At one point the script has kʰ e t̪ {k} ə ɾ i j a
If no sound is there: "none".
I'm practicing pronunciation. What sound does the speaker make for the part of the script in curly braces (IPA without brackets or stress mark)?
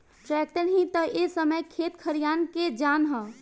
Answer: kʰ